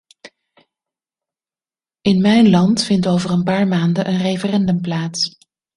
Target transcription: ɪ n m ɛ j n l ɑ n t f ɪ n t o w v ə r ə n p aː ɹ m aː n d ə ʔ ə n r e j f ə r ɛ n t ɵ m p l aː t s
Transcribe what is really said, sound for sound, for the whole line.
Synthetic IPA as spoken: ɪ n m ɛ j n l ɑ n t f ɪ n t o w v ə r ə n p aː ɹ m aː n d ə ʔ ə n r e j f ə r ɛ n d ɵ m p l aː t s